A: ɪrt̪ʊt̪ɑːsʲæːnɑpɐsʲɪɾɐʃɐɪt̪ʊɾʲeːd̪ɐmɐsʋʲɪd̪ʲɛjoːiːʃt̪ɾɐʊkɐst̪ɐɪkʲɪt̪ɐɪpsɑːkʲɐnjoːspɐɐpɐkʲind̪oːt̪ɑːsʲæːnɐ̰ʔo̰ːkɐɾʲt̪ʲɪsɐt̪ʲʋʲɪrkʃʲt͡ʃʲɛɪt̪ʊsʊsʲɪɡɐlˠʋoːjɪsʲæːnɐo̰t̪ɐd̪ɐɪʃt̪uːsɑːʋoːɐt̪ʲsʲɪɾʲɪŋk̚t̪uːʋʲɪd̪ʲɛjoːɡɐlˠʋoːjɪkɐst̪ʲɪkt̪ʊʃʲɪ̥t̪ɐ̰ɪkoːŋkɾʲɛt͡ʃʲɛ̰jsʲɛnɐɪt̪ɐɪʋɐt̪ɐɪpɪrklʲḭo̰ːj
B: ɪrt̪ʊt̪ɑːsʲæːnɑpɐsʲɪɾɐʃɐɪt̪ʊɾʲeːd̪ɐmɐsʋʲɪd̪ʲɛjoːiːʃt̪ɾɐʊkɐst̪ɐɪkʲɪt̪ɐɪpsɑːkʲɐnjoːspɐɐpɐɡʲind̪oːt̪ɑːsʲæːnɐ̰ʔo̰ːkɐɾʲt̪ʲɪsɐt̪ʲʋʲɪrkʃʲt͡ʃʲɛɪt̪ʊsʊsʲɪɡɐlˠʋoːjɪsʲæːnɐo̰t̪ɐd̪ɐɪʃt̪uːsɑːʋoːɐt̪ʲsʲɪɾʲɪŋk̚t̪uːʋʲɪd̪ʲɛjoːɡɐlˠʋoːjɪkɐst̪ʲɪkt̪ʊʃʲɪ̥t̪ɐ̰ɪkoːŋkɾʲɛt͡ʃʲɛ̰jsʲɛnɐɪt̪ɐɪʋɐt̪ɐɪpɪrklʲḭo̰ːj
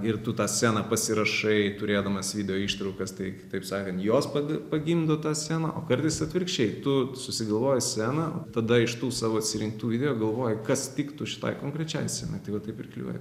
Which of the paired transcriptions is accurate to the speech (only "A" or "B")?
B